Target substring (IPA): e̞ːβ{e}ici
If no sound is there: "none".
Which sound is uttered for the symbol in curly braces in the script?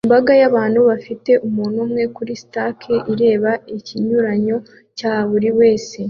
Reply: a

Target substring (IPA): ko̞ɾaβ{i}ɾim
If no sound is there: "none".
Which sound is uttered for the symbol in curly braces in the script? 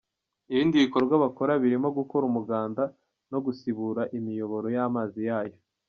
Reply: i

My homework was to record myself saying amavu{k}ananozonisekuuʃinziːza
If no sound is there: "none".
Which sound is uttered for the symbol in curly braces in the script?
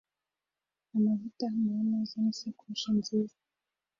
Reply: t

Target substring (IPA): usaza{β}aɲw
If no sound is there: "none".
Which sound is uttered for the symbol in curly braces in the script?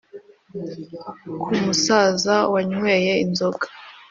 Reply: w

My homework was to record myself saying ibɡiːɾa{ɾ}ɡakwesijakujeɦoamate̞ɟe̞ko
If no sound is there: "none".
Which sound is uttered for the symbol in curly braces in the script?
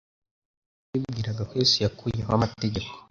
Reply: none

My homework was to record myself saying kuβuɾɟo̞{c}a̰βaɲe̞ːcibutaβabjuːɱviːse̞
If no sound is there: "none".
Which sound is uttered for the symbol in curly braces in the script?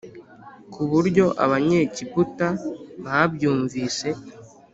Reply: ʔ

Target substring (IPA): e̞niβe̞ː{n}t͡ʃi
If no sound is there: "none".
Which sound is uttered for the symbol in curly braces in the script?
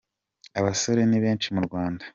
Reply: n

